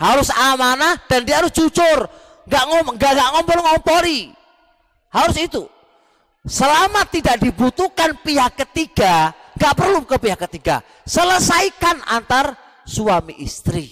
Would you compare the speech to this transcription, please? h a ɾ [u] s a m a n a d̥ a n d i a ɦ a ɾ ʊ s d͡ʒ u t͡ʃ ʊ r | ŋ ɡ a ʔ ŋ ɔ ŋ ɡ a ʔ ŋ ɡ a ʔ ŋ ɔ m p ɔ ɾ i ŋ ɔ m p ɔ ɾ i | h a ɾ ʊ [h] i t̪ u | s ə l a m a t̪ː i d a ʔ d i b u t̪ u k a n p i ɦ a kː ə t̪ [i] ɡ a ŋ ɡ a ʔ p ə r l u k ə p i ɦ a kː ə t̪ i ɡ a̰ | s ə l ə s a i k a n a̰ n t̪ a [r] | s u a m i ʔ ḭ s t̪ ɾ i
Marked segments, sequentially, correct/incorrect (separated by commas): incorrect, incorrect, correct, correct